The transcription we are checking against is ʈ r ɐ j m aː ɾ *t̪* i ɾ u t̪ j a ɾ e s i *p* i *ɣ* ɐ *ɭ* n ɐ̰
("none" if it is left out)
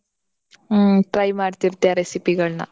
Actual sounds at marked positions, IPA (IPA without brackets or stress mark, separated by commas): t̪, p, ɣ, ɭ